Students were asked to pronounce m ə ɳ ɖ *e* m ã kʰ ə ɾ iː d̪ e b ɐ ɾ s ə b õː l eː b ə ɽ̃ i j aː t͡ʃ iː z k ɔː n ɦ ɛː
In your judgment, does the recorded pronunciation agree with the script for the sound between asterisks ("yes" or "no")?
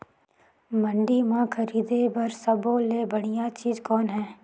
no